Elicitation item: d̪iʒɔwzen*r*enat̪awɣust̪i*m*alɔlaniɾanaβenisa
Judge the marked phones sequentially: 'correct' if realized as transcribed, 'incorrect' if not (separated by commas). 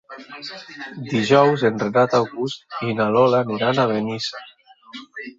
correct, incorrect